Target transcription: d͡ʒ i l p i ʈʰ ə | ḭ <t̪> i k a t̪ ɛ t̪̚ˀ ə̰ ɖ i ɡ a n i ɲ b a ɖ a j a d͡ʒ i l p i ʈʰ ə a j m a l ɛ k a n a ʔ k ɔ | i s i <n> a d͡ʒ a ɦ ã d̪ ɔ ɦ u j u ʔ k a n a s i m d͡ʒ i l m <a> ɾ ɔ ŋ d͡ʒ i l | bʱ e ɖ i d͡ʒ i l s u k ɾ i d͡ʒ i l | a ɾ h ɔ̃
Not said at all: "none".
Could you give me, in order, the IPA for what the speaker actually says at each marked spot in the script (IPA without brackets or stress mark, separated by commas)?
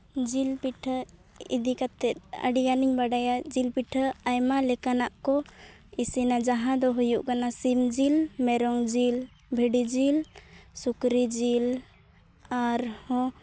d̪, n, ɛ